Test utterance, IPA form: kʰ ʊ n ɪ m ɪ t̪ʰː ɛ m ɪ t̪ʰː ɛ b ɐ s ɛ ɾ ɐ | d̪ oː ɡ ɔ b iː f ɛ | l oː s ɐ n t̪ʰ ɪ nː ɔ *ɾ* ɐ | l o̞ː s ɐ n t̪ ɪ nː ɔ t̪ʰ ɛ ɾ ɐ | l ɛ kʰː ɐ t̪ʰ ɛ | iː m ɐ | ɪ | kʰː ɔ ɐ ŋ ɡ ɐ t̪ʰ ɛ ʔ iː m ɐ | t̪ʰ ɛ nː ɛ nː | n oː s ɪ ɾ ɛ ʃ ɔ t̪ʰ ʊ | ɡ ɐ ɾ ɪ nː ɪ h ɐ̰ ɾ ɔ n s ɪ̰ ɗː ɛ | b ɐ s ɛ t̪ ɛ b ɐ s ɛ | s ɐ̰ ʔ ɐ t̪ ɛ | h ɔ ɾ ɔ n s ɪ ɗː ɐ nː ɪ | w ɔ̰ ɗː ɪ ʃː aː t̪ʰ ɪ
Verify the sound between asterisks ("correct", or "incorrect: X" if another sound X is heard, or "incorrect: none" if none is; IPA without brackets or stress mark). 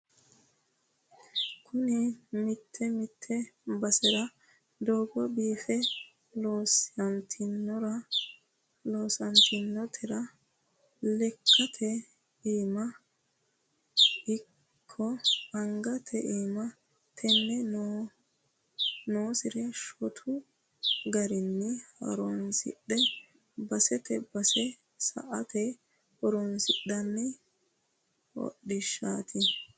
correct